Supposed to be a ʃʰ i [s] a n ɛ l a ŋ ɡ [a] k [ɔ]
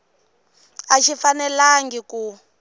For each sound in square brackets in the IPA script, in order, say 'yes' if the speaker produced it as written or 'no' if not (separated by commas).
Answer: no, no, no